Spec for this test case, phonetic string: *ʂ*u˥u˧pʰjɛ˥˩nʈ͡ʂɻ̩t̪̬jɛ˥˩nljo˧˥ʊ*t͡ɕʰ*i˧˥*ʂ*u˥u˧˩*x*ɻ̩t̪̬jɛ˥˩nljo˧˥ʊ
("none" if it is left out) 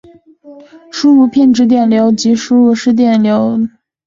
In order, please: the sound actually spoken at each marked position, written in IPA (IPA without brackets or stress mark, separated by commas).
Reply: ʂ, t͡ɕ, ʂ, ʂ